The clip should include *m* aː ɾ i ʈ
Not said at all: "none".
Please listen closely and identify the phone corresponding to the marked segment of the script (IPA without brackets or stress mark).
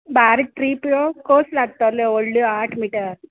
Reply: b